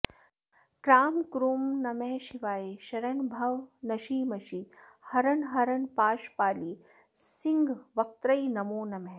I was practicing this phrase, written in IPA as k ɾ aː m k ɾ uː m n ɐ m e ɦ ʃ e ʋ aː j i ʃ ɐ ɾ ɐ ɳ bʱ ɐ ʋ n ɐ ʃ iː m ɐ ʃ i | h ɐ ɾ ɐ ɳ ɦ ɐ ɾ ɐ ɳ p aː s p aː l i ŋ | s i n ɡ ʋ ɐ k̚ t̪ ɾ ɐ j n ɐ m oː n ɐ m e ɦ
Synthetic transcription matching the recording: k ɾ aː m k ɾ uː m n ɐ m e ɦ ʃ i ʋ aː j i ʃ ɐ ɾ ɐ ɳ bʱ ɐ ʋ n ɐ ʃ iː m ɐ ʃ i | h ɐ ɾ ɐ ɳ ɦ ɐ ɾ ɐ ɳ p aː ʃ p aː l i | s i ŋ ɡ ʋ ɐ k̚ t̪ ɾ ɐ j n ɐ m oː n ɐ m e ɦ